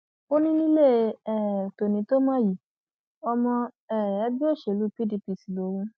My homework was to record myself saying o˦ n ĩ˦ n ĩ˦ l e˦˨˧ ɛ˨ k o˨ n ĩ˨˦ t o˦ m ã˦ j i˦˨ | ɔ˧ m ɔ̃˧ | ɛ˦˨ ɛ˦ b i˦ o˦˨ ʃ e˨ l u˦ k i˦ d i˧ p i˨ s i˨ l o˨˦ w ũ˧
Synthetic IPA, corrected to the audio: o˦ n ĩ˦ n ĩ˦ l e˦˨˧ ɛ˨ t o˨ n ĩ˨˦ t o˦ m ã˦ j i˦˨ | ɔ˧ m ɔ̃˧ | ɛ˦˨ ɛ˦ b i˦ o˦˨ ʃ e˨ l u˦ p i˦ d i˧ p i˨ s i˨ l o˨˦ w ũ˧